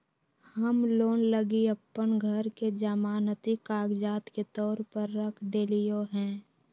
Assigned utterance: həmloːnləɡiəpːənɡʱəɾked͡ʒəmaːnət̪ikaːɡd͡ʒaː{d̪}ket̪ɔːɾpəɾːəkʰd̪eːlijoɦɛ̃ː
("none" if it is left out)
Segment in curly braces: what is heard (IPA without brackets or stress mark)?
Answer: t̪